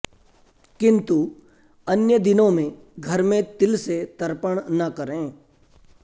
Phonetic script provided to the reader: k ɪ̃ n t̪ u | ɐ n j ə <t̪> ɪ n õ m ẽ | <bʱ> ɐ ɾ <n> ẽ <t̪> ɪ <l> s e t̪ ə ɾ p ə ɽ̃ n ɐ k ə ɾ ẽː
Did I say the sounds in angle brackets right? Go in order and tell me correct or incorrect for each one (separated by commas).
incorrect, incorrect, incorrect, correct, correct